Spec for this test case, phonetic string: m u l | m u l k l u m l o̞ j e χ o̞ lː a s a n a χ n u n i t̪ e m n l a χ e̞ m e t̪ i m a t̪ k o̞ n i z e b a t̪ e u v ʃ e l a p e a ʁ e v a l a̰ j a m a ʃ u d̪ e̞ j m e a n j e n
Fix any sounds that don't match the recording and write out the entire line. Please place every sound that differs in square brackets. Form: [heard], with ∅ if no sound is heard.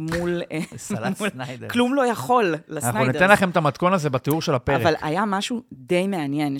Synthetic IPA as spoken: m u l | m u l k l u m l o̞ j [a] χ o̞ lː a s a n a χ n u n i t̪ e [∅] n l a χ e̞ m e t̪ [a] m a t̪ k o̞ n [a] z e b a t̪ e u [ʁ] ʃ e l a p e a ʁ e v a l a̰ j a m a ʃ u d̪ e̞ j m e a n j e n